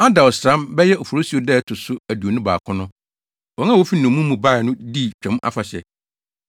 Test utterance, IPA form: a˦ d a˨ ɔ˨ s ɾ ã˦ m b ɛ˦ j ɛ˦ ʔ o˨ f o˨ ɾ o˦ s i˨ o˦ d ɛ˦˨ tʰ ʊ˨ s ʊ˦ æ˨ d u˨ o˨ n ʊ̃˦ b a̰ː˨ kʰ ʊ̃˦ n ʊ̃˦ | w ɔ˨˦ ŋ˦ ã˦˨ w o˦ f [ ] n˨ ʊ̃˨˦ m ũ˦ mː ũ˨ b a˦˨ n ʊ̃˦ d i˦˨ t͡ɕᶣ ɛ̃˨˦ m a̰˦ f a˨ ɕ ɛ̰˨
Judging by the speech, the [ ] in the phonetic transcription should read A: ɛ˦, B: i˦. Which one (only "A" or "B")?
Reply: B